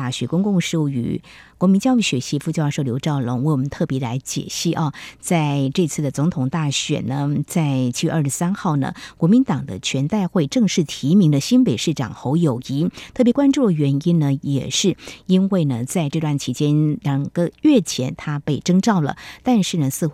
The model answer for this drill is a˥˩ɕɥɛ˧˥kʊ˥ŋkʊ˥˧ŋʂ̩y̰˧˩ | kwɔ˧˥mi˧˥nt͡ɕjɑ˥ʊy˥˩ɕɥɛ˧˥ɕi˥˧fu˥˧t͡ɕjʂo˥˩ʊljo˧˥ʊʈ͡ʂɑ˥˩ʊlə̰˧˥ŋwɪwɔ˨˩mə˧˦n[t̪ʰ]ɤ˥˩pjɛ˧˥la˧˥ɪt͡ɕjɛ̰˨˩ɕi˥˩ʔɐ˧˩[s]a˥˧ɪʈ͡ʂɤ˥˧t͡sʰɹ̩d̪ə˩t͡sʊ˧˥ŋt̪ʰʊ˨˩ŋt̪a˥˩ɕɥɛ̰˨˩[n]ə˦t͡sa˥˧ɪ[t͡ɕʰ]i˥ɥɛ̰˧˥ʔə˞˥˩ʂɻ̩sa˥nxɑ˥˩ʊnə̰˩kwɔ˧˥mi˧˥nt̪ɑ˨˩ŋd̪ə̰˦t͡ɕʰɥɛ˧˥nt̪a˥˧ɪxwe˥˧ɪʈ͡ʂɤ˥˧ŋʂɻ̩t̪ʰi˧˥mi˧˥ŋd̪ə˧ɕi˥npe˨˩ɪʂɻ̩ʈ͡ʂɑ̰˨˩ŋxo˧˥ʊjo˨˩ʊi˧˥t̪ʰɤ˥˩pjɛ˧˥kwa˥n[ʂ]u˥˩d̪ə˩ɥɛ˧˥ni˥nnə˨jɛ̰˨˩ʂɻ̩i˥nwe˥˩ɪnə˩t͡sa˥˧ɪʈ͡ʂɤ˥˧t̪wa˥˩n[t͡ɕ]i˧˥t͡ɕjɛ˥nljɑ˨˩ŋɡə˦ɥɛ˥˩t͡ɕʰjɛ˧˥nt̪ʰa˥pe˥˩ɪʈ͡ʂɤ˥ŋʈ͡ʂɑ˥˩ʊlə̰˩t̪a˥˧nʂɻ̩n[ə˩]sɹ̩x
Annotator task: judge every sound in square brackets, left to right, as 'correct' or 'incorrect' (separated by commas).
correct, incorrect, correct, correct, incorrect, incorrect, correct